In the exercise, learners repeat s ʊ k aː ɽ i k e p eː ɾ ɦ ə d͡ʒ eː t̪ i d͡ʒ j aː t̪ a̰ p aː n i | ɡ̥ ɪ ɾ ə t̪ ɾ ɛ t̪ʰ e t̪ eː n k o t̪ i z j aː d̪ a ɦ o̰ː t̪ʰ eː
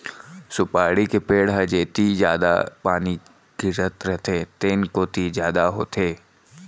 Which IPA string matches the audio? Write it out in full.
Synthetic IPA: s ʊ p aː ɽ i k e p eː ɽ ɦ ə d͡ʒ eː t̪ i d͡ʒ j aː d̪ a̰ p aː n i | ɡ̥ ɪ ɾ ə t̪ ɾ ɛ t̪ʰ e t̪ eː n k o t̪ i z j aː d̪ a ɦ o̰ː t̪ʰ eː